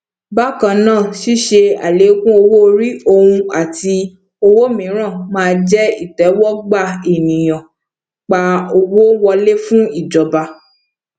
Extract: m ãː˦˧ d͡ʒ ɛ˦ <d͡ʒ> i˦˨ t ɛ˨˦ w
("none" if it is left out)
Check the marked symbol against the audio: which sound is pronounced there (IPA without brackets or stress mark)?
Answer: none